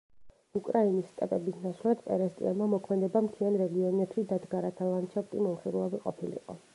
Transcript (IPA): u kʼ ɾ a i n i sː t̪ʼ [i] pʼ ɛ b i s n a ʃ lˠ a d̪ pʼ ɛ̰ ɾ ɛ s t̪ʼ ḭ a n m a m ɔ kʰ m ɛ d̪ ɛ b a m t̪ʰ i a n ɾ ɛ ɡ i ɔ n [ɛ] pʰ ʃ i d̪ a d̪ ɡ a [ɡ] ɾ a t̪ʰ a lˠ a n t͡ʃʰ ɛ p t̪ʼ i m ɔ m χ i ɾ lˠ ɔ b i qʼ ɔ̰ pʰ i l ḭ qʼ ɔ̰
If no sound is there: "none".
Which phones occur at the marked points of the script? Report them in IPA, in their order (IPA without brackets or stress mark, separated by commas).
ɛ, ɛ, none